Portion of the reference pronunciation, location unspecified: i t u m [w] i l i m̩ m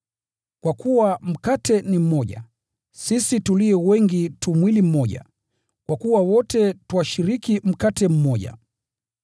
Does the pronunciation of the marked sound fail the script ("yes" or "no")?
no